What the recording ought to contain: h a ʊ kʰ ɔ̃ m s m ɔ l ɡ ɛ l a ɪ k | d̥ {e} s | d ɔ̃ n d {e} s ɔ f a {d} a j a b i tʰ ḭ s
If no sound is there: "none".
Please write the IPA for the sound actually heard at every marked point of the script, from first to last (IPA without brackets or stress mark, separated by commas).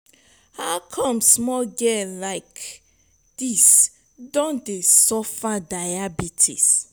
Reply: i, e, d